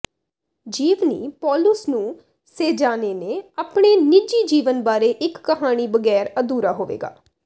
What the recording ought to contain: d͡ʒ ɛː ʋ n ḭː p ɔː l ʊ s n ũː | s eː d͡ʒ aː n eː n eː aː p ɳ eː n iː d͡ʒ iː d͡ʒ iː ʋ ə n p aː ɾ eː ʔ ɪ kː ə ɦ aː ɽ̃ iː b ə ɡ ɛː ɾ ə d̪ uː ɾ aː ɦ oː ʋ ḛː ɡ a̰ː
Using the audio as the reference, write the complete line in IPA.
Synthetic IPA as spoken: d͡ʒ iː ʋ n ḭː p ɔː l ʊ s n ũː | s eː d͡ʒ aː n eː n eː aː p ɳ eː n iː d͡ʒ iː d͡ʒ iː ʋ ə n b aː ɾ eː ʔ ɪ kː ə ɦ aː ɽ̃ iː b ə ɡ ɛː ɾ ə d̪ uː ɾ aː ɦ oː ʋ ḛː ɡ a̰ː

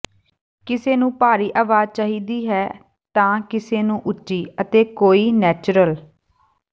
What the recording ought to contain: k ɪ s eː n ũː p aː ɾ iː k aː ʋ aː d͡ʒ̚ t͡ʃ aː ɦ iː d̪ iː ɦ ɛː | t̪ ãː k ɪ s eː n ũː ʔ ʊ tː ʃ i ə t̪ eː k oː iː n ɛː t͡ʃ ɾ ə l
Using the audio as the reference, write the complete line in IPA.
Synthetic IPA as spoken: k ɪ s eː n ũː p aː ɾ iː ʔ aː ʋ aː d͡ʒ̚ t͡ʃ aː ɦ iː d̪ iː ɦ ɛː | t̪ ãː k ɪ s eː n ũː ʔ ʊ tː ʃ iː ə t̪ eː k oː iː n ɛː t͡ʃ ɾ ə l

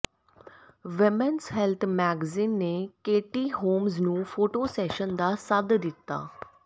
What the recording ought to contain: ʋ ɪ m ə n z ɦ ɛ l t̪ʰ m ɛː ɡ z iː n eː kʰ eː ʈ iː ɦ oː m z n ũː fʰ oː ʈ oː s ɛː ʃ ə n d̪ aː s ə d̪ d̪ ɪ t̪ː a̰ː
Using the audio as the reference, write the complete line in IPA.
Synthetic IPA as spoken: ʋ ɪ m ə n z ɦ ɛ l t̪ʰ m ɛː ɡ z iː nː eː k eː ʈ iː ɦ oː m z n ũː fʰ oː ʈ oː s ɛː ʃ ə n d̪ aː s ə d̪ d̪ ɪ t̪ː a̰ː

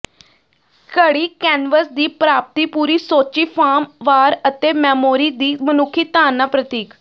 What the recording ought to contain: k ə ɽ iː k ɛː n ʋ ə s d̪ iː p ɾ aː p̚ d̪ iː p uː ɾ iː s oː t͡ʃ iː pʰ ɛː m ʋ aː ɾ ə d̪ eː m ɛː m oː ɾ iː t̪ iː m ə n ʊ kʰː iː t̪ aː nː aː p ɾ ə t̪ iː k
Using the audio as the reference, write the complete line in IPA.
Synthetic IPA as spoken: k ə ɽ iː k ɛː n ʋ ə s d̪ iː p ɾ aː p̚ t̪ iː p uː ɾ iː s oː t͡ʃ iː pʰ aː m ʋ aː ɾ ə t̪ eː m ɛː m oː ɾ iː d̪ iː m ə n ʊ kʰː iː t̪ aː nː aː p ɾ ə t̪ iː k

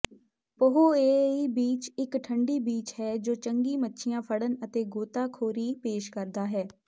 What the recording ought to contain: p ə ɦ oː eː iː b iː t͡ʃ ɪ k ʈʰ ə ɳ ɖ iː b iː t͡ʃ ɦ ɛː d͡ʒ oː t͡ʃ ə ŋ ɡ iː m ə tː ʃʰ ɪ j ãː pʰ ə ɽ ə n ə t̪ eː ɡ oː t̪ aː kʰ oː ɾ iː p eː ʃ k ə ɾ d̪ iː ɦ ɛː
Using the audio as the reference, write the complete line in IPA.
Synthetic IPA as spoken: p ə ɦ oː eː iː b iː t͡ʃ ɪ k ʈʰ ə ɳ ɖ iː b iː t͡ʃ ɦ ɛː d͡ʒ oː t͡ʃ ə ŋ ɡ iː m ə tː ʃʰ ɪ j ãː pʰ ə ɽ ə n ə t̪ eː ɡ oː t̪ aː kʰ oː ɾ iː p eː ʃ k ə ɾ d̪ aː ɦ ɛː

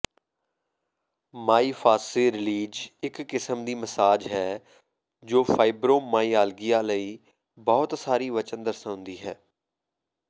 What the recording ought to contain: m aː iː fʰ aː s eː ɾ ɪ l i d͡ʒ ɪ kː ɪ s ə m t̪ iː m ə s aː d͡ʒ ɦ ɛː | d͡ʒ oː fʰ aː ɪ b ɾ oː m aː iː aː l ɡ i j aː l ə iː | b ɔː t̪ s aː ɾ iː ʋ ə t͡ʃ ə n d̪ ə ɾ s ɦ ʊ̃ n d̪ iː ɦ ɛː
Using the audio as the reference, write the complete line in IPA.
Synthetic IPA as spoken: m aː iː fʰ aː s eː ɾ ɪ l iː d͡ʒ ɪ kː ɪ s ə m d̪ iː m ə s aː d͡ʒ ɦ ɛː | d͡ʒ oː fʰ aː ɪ b ɾ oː m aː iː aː l ɡ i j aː l ə iː | b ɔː t̪ s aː ɾ iː ʋ ə t͡ʃ ə n d̪ ə ɾ s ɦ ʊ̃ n d̪ iː ɦ ɛː

